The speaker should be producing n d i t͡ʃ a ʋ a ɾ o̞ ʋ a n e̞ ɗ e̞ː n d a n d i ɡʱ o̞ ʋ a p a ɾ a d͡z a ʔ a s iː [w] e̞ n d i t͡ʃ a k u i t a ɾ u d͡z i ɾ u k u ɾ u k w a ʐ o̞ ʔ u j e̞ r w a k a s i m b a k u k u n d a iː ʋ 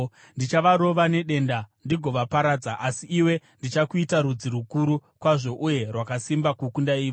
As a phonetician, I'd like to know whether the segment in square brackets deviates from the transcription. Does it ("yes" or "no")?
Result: no